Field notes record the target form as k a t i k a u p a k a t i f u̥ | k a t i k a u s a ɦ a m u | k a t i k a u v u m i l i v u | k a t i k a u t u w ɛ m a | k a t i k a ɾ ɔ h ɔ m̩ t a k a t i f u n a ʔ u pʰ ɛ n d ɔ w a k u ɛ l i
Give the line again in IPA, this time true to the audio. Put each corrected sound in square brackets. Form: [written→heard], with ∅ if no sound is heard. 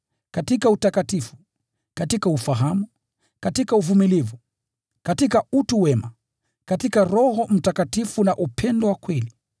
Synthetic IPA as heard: k a t i k a u [p→t] a k a t i f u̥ | k a t i k a u [s→f] a ɦ a m u | k a t i k a u v u m i l i v u | k a t i k a u t u w ɛ m a | k a t i k a ɾ ɔ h ɔ m̩ t a k a t i f u n a ʔ u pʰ ɛ n d ɔ w a k [u→w] ɛ l i

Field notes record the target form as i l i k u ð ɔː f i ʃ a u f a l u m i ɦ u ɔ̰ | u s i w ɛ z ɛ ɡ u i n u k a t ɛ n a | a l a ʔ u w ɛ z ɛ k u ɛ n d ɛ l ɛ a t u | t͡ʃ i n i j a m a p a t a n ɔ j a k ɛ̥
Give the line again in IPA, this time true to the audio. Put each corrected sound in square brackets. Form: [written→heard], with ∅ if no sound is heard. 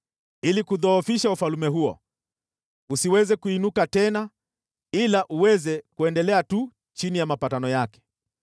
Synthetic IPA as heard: i l i k u ð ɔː f i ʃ a u f a l u m [i→ɛ] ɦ u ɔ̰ | u s i w ɛ z ɛ [ɡ→k] u i n u k a t ɛ n a | [a→i] l a ʔ u w ɛ z ɛ k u ɛ n d ɛ l ɛ a t u | t͡ʃ i n i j a m a p a t a n ɔ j a k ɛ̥

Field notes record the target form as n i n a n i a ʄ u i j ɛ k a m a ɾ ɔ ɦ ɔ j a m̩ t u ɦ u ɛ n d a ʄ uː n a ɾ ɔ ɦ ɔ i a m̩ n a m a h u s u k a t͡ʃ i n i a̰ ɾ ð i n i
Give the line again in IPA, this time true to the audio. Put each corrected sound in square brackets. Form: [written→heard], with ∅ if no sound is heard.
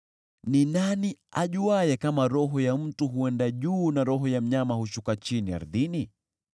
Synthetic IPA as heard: n i n a n i a ʄ u [i→a] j ɛ k a m a ɾ ɔ ɦ ɔ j a m̩ t u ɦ u ɛ n d a ʄ uː n a ɾ ɔ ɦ ɔ [i→j] a m̩ [n→ɲ] a m a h u [s→ʃ] u k a t͡ʃ i n i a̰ ɾ ð i n i

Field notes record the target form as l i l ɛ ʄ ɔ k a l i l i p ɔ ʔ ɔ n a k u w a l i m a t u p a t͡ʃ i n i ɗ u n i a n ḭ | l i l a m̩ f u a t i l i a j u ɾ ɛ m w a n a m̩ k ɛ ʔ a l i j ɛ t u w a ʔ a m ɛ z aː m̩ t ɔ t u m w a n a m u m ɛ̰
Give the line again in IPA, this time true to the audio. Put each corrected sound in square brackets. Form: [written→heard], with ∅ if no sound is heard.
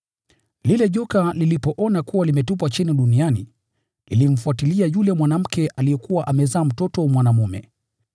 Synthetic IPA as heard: l i l ɛ ʄ ɔ k a l i l i p ɔ ʔ ɔ n a k u w a l i m [a→ɛ] t u p a t͡ʃ i n i ɗ u n i a n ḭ | l i l [a→i] m̩ f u a t i l i a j u [ɾ→l] ɛ m w a n a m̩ k ɛ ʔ a l i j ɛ [t→k] u w a ʔ a m ɛ z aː m̩ t ɔ t [u→ɔ] m w a n a m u m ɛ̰

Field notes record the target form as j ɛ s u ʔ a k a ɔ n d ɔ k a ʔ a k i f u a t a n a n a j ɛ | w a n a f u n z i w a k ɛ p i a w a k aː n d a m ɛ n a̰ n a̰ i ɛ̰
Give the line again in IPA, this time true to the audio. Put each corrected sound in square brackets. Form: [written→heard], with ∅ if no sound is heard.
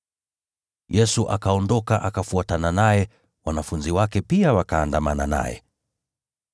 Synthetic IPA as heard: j ɛ s u ʔ a k a ɔ n d ɔ k a ʔ a k [i→a] f u a t a n a n a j ɛ | w a n a f u n z i w a k ɛ p i a w a k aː n d a m [ɛ→a] n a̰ n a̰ [i→j] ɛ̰

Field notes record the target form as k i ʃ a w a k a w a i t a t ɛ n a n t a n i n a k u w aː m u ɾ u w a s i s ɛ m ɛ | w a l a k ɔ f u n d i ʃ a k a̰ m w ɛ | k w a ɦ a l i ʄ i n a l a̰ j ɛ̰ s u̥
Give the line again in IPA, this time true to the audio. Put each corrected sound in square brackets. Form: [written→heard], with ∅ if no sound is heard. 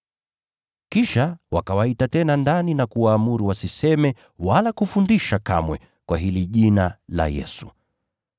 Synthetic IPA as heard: k i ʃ a w a k a w a i t a t ɛ n a n [t→d] a n i n a k u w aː m u ɾ u w a s i s ɛ m ɛ | w a l a k [ɔ→u] f u n d i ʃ a k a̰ m w ɛ | k w a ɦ [a→i] l i ʄ i n a l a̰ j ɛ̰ s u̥

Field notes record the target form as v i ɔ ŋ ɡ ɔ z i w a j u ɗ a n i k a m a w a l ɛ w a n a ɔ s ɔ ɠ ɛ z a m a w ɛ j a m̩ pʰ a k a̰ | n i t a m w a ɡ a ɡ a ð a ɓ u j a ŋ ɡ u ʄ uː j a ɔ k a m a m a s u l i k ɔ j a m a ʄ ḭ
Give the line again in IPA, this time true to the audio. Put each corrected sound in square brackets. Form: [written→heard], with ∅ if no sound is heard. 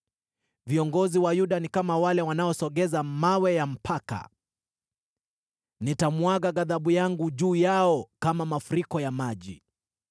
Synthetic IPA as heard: v i ɔ ŋ ɡ ɔ z i w a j u ɗ a n i k a m a w a l ɛ w a n a ɔ s ɔ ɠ ɛ z a m a w ɛ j a m̩ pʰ a k a̰ | n i t a m w a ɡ a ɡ a ð a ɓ u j a ŋ ɡ u ʄ uː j a ɔ k a m a m a [s→f] u [l→ɾ] i k ɔ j a m a ʄ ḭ

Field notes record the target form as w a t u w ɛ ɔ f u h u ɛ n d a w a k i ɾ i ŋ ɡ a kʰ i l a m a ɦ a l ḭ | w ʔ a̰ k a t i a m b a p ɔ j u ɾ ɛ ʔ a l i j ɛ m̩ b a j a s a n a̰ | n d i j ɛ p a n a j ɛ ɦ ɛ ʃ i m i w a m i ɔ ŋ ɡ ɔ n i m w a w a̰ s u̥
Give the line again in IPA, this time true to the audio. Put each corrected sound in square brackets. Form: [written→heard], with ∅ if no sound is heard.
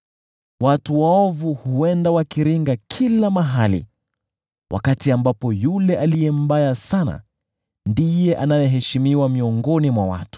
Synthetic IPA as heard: w a t u w [ɛ→a] ɔ [f→v] u h u ɛ n d a w a k i ɾ i ŋ ɡ a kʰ i l a m a ɦ a l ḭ | w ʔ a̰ k a t i a m b a p ɔ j u [ɾ→l] ɛ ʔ a l i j ɛ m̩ b a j a s a n a̰ | n d i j ɛ [p→ʔ] a n a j ɛ ɦ ɛ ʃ i m i w a m i ɔ ŋ ɡ ɔ n i m w a w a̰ [s→t] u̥

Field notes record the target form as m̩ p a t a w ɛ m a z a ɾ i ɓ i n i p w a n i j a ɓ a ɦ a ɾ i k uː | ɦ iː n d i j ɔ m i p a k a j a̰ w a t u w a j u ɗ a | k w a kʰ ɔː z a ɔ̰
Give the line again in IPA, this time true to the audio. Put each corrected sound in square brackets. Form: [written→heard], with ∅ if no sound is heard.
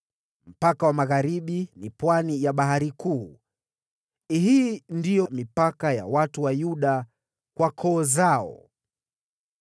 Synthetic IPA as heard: m̩ p a [t→k] a w [ɛ→a] m a [z→ɣ] a ɾ i ɓ i n i p w a n i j a ɓ a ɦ a ɾ i k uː | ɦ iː n d i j ɔ m i p a k a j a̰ w a t u w a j u ɗ a | k w a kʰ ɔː z a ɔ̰

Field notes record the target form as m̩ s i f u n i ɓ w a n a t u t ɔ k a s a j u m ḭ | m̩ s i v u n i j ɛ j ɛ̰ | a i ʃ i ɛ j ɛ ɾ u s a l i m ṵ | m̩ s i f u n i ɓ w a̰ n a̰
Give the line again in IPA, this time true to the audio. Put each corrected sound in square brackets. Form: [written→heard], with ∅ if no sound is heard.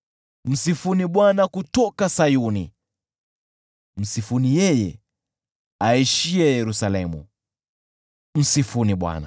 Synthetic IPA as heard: m̩ s i f u n i ɓ w a n a [t→k] u t ɔ k a s a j u [m→n] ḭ | m̩ s i [v→f] u n i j ɛ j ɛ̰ | a i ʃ i ɛ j ɛ ɾ u s a l [i→ɛ] m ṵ | m̩ s i f u n i ɓ w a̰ n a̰

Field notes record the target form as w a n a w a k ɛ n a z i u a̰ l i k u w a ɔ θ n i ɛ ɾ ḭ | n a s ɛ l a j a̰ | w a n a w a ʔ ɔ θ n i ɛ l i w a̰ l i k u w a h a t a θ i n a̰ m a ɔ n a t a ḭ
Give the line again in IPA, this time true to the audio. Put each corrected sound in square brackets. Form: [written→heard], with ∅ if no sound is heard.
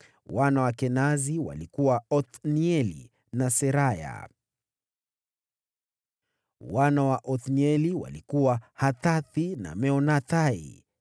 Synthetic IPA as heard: w a n a w a k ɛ n a z i [u→w] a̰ l i k u w a ɔ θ n i ɛ [ɾ→l] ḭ | n a s ɛ [l→ɾ] a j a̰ | w a n a w a ʔ ɔ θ n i ɛ l i w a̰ l i k u w a h a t a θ i n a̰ m [a→ɛ] ɔ n a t a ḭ

